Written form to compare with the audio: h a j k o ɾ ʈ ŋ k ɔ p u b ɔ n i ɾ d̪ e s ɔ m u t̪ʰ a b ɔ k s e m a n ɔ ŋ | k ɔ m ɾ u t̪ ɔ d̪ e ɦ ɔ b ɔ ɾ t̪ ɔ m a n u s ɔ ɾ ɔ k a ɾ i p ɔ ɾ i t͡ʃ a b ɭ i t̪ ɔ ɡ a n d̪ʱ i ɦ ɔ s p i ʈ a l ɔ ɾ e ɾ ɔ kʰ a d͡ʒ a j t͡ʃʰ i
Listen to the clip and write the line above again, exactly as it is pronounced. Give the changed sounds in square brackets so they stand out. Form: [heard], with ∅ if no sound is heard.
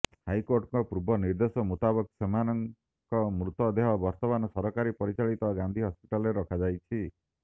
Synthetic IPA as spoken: h a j k o ɾ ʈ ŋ k ɔ p u b ɔ n i ɾ d̪ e s ɔ m u [t̪] a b ɔ k s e m a n ɔ ŋ | k ɔ m ɾ u t̪ ɔ d̪ e ɦ ɔ b ɔ ɾ t̪ ɔ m a n [ɔ] s ɔ ɾ ɔ k a ɾ i p ɔ ɾ i t͡ʃ a [∅] ɭ i t̪ ɔ ɡ a n d̪ʱ i ɦ ɔ s p i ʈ a l ɔ ɾ e ɾ ɔ kʰ a d͡ʒ a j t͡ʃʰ i

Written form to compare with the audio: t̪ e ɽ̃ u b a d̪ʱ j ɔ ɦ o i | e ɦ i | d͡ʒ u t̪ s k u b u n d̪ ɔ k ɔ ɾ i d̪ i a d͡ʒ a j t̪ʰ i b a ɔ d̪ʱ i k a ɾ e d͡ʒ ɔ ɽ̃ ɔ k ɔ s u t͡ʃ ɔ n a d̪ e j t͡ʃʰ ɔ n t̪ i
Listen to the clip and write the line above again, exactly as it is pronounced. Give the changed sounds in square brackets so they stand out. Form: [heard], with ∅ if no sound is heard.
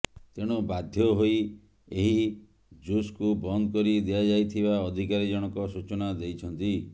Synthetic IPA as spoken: t̪ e ɽ̃ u b a d̪ʱ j ɔ ɦ o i | e ɦ i | d͡ʒ u [∅] s k u b [ɔ] n d̪ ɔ k ɔ ɾ i d̪ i a d͡ʒ a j t̪ʰ i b a ɔ d̪ʱ i k a ɾ [i] d͡ʒ ɔ ɽ̃ ɔ k ɔ s u t͡ʃ ɔ n a d̪ e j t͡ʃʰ ɔ n t̪ i

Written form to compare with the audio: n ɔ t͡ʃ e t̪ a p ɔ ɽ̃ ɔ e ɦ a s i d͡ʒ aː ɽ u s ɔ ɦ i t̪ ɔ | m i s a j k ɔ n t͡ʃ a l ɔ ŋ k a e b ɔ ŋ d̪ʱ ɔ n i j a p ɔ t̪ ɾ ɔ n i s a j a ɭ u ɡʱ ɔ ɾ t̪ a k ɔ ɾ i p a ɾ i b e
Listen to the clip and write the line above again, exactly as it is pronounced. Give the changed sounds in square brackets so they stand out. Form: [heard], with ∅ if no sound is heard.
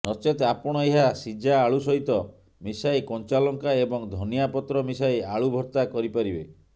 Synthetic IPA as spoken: n ɔ t͡ʃ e t̪ a p ɔ ɽ̃ ɔ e ɦ a s i d͡ʒ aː [ɭ] u s ɔ ɦ i t̪ ɔ | m i s a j k ɔ n t͡ʃ a l ɔ ŋ k a e b ɔ ŋ d̪ʱ ɔ n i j a p ɔ t̪ ɾ ɔ [m] i s a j a ɭ u [bʱ] ɔ ɾ t̪ a k ɔ ɾ i p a ɾ i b e

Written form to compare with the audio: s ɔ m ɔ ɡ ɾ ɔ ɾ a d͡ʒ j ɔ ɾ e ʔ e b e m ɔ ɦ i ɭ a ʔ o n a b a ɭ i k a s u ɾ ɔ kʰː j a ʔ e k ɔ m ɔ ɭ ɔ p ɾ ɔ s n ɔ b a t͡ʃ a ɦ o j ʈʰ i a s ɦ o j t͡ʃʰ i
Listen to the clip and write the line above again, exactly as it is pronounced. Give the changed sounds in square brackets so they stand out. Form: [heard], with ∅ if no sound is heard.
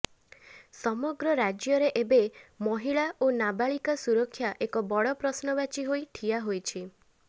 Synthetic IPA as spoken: s ɔ m ɔ ɡ ɾ ɔ ɾ a d͡ʒ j ɔ ɾ e ʔ e b e m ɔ ɦ i ɭ a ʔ o n a b a ɭ i k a s u ɾ ɔ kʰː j a ʔ e k ɔ [b] ɔ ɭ ɔ p ɾ ɔ s n ɔ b a t͡ʃ [i] ɦ o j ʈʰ i a [∅] ɦ o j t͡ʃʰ i

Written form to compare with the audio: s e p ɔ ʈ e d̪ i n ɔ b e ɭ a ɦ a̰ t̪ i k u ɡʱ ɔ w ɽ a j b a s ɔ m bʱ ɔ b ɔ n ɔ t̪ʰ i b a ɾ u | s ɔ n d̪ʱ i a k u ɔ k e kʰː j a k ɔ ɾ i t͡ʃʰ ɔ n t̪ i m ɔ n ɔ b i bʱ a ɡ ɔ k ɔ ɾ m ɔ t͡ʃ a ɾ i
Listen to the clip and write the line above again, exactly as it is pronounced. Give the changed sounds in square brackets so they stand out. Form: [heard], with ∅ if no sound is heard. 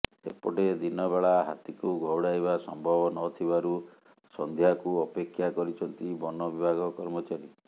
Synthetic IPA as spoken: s e p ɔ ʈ e d̪ i n ɔ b e ɭ a ɦ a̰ t̪ i k u ɡʱ ɔ w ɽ a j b a s ɔ m bʱ ɔ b ɔ n ɔ t̪ʰ i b a ɾ u | s ɔ n d̪ʱ [j] a k u ɔ [p] e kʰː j a k ɔ ɾ i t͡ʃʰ ɔ n t̪ i [b] ɔ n ɔ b i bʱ a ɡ ɔ k ɔ ɾ m ɔ t͡ʃ a ɾ i

